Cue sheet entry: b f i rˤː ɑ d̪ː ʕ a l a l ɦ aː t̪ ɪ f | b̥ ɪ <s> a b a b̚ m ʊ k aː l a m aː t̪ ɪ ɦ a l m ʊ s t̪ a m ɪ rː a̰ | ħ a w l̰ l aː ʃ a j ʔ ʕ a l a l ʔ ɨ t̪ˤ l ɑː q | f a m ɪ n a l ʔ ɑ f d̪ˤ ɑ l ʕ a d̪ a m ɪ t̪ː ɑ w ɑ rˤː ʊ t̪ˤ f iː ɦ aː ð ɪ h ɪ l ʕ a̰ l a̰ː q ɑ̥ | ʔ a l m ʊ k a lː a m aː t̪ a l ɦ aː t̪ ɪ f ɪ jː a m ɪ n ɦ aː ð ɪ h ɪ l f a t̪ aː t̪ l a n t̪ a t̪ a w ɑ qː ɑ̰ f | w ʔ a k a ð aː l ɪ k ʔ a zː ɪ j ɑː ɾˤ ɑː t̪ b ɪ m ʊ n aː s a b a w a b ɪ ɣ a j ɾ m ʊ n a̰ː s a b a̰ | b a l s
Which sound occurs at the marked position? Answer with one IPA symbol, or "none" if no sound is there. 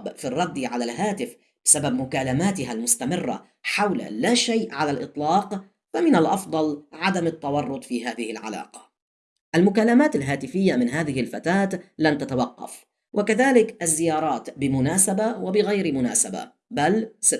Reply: s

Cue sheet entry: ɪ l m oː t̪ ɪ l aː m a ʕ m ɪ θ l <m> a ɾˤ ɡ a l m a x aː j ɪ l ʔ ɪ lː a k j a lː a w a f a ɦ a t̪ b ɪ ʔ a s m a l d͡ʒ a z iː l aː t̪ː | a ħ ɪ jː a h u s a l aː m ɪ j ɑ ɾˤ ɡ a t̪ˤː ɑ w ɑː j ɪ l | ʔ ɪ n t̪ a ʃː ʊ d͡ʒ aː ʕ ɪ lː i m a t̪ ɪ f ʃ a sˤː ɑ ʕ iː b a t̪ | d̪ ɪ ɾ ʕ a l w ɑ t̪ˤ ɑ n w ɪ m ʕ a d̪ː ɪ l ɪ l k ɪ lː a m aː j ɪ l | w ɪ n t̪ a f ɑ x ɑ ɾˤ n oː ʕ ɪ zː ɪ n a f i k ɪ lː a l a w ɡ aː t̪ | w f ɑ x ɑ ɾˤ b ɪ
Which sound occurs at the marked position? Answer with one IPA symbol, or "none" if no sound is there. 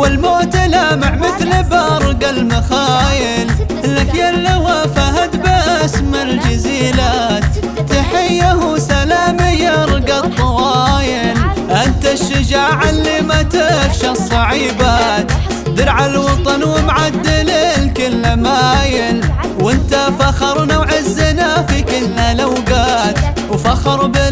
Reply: b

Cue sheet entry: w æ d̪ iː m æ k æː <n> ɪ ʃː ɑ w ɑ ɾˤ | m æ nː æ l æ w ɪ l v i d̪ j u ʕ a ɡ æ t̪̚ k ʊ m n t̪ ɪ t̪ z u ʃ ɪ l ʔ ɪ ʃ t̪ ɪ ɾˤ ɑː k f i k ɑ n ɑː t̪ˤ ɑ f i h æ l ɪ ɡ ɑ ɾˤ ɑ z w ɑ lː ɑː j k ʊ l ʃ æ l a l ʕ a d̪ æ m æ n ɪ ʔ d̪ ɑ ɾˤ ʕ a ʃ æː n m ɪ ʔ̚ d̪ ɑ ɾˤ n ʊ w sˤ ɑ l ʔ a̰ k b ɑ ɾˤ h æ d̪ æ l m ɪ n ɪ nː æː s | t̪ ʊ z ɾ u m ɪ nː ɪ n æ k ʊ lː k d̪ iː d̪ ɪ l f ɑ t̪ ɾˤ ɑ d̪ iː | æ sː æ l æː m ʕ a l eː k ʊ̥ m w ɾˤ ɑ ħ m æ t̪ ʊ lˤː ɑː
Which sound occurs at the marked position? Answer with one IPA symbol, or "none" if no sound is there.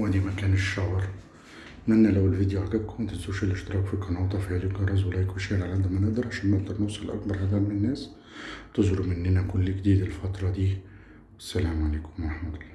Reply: n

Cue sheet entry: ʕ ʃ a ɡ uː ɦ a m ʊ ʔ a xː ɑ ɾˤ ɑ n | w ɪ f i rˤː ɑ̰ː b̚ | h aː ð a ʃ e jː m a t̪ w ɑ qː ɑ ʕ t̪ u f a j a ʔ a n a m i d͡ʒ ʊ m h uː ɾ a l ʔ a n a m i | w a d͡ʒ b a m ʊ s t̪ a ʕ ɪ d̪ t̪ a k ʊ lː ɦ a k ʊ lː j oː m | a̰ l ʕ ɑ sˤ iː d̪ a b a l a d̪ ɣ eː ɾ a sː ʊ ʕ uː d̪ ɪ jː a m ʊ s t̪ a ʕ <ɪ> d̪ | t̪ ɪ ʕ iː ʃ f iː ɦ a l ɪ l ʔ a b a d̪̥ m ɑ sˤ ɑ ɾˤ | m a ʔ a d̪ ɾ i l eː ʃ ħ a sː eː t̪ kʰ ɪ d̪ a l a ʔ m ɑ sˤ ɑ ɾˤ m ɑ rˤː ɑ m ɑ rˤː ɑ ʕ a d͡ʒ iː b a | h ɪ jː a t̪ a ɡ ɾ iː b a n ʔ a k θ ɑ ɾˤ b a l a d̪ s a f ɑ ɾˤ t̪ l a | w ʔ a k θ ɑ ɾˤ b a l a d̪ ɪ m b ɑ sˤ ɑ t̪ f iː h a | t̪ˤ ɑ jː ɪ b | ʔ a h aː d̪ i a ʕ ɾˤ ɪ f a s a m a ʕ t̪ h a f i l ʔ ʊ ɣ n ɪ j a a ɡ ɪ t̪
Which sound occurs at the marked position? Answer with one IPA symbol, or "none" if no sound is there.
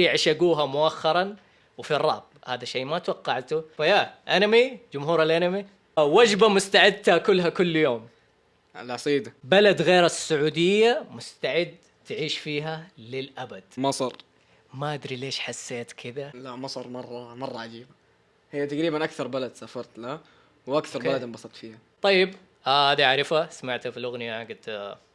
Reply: ɪ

